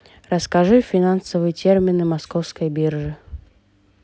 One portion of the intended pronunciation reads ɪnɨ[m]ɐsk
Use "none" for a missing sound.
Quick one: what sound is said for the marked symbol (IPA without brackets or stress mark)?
m